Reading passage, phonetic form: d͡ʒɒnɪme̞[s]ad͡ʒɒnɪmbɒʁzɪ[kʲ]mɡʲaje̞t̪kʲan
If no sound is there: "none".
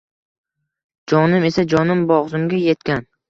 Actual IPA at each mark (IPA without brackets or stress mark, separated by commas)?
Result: s, none